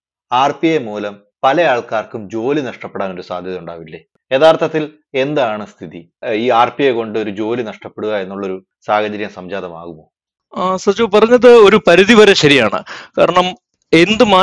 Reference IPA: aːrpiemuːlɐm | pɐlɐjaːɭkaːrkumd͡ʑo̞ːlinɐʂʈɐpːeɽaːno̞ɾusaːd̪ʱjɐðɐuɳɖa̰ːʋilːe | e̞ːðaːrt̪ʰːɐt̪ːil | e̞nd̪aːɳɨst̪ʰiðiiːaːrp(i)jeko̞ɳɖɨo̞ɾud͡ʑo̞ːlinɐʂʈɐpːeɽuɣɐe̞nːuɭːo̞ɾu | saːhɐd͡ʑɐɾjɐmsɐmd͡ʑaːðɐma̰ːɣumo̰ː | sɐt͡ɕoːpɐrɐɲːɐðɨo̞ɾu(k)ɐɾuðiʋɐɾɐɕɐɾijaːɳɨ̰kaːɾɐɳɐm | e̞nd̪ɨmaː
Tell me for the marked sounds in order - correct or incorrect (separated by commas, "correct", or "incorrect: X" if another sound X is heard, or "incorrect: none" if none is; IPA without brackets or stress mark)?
correct, incorrect: p